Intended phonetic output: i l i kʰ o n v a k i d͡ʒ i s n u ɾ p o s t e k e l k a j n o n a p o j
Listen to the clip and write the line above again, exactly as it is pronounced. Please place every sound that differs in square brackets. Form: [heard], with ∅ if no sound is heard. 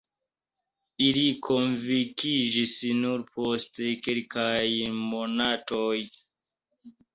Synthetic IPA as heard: i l i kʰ o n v [i] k i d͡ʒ i s n u ɾ p o s t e k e l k a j [m] o n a [t] o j